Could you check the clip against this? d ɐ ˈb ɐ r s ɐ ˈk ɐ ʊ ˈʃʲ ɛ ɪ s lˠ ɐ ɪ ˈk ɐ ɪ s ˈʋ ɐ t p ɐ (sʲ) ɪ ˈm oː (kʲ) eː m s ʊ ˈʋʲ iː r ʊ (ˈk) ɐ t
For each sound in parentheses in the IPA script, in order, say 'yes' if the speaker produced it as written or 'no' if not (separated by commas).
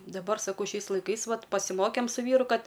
yes, yes, yes